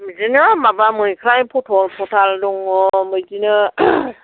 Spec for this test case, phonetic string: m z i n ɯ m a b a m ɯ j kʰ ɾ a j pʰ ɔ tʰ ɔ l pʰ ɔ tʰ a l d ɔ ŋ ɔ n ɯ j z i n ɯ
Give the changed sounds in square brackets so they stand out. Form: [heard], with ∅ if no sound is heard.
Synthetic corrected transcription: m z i n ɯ m a b a m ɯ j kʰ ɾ a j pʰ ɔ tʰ ɔ l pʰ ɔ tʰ a l d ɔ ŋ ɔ [m] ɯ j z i n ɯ